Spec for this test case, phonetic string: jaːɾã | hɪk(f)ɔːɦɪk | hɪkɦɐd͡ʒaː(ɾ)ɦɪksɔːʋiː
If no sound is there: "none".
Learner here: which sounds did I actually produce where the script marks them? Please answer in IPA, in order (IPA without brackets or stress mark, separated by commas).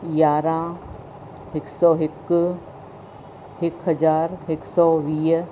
s, ɾ